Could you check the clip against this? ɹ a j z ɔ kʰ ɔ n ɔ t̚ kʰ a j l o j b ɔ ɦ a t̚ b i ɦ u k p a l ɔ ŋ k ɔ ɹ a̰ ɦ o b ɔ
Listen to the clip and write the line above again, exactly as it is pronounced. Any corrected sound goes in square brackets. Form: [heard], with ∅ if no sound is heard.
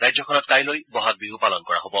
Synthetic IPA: ɹ a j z ɔ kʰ ɔ n ɔ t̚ [k] a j l o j b ɔ ɦ a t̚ b i ɦ u [∅] p a l ɔ [n] k ɔ ɹ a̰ ɦ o b ɔ